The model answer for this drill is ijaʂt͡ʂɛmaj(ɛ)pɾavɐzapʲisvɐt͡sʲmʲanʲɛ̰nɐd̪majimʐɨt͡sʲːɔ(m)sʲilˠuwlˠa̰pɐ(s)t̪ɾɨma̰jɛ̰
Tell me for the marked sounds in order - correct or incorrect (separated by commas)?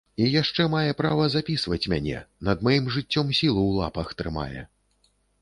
correct, correct, incorrect